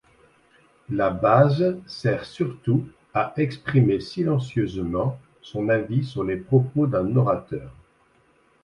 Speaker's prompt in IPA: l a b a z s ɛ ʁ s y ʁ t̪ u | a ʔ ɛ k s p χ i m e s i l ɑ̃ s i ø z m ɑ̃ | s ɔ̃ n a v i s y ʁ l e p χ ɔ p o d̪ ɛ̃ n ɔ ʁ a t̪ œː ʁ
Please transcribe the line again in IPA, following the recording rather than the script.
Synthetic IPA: l a b a z s ɛ ʁ s y ʁ t̪ u | a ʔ ɛ k s p χ i m e s i l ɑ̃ s j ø z m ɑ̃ | s ɔ̃ n a v i s y ʁ l e p χ ɔ p o d̪ ɛ̃ n ɔ ʁ a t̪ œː ʁ